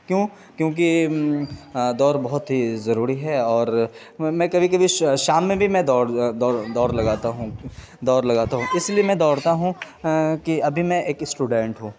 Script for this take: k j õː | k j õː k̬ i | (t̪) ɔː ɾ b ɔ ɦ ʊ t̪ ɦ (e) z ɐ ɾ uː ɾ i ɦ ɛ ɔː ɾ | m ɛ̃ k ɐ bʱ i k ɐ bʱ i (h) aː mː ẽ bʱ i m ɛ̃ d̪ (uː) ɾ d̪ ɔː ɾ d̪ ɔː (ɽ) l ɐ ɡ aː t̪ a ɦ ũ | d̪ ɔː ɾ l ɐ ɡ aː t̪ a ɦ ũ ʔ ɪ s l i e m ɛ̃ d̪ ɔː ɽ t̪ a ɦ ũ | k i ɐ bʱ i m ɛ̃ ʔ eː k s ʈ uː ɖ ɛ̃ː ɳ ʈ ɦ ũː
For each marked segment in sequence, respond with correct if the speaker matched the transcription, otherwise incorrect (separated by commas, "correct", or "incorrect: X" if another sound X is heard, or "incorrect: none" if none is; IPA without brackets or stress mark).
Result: incorrect: d̪, incorrect: i, incorrect: ʃ, incorrect: ɔː, incorrect: ɾ